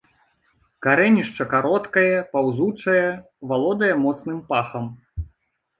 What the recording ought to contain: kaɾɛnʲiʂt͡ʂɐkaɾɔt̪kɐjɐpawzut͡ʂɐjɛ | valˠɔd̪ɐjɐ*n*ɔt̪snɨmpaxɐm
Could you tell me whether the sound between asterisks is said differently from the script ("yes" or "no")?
yes